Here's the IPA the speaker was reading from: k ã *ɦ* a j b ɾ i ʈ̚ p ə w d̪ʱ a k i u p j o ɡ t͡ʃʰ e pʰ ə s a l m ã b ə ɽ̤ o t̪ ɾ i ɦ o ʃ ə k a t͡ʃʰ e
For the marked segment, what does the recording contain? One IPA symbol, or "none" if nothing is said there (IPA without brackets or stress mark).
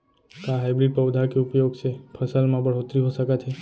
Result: ɦ